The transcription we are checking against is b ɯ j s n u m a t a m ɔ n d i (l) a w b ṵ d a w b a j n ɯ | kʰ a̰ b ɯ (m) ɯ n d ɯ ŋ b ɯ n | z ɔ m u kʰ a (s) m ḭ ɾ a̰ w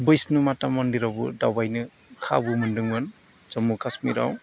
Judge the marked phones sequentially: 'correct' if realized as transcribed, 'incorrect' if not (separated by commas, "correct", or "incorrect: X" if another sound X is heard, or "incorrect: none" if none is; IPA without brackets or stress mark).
incorrect: ɾ, correct, correct